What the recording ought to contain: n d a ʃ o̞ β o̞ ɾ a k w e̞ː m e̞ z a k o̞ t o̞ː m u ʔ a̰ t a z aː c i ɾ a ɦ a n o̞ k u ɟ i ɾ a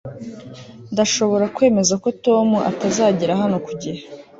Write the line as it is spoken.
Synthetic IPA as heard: n d a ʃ o̞ β o̞ ɾ a k w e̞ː m e̞ z a k o̞ t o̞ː m u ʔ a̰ t a z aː ɟ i ɾ a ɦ a n o̞ k u ɟ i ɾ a